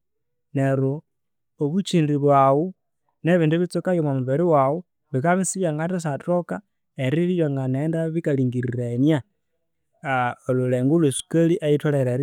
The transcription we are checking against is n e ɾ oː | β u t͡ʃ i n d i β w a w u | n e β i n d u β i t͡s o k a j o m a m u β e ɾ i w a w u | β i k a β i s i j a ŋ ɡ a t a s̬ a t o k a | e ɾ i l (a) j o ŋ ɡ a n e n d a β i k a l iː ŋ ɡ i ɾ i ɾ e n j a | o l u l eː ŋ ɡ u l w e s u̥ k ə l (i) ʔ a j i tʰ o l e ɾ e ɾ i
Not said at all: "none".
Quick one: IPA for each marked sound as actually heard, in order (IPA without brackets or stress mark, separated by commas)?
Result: i, i